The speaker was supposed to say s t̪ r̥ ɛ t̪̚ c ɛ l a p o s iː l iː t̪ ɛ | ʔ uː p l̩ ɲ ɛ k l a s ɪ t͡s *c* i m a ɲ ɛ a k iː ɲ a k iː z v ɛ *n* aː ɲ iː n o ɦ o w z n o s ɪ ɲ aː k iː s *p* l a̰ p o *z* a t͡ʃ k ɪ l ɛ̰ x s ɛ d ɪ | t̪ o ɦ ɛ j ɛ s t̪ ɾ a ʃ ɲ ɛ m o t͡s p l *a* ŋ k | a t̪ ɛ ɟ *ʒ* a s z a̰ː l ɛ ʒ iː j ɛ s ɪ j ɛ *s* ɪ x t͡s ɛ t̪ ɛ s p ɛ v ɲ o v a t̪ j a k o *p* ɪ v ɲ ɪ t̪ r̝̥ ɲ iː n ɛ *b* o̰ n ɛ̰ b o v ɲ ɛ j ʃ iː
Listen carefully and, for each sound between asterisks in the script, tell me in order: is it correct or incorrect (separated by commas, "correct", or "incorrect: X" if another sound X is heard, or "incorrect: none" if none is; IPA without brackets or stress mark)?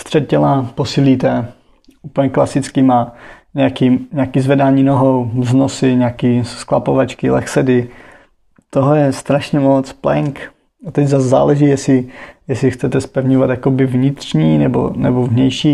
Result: incorrect: k, incorrect: d, incorrect: k, incorrect: v, incorrect: ɛ, incorrect: z, correct, incorrect: b, correct